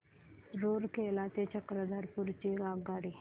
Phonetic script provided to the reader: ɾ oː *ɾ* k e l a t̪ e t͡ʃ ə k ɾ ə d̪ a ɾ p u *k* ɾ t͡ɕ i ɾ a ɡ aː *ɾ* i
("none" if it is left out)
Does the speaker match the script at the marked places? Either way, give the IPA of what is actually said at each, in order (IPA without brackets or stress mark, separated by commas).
ɾ, none, ɽ